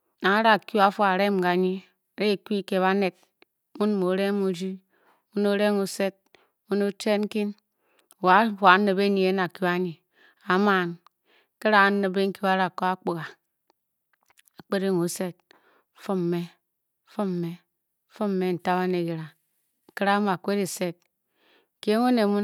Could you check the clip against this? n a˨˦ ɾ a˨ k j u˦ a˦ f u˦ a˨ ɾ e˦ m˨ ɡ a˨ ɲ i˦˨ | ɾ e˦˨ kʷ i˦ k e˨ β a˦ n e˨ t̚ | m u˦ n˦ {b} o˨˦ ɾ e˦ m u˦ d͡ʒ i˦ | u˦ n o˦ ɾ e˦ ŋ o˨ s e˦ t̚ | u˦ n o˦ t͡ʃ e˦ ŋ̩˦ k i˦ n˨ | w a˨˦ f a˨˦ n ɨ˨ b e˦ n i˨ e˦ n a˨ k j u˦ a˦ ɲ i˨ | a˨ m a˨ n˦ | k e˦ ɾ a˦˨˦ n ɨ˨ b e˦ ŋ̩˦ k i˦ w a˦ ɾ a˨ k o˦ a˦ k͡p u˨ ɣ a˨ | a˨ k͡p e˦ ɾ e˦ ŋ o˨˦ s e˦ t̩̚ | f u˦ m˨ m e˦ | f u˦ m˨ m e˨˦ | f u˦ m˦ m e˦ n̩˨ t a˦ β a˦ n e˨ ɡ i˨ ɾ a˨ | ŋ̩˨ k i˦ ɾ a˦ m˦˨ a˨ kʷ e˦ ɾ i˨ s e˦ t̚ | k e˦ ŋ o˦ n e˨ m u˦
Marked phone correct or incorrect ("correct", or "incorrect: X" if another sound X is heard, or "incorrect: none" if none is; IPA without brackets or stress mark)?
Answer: incorrect: m